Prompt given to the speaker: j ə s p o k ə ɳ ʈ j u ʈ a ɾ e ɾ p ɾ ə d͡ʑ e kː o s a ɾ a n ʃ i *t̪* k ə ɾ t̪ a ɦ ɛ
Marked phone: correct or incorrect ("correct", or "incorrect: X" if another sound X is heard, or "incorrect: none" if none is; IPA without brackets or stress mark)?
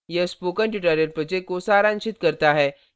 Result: correct